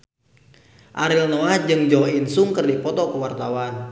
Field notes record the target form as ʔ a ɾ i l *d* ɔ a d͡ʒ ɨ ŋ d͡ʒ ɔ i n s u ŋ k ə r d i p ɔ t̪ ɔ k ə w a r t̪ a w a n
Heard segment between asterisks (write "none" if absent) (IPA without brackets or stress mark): n